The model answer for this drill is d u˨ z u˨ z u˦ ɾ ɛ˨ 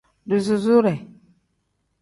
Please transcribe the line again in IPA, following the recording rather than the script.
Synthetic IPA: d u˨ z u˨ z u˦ ɾ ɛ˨